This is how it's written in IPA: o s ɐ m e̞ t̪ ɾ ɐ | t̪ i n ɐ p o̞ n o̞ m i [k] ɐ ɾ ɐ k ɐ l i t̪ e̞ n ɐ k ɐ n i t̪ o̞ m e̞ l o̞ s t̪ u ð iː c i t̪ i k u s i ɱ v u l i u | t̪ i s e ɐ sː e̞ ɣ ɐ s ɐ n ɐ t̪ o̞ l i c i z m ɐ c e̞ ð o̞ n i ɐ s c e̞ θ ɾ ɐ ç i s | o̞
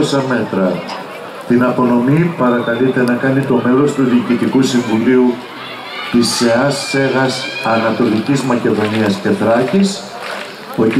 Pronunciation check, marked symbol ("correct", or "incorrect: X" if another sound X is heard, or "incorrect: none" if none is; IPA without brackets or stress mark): incorrect: p